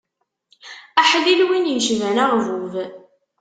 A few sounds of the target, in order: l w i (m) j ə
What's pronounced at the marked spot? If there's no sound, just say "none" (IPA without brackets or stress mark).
n